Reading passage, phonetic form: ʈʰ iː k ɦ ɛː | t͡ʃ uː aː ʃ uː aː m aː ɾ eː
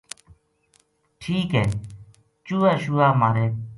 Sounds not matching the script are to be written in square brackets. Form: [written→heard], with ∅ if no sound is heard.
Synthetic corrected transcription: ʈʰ iː k ɦ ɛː | t͡ʃ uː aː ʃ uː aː m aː ɾ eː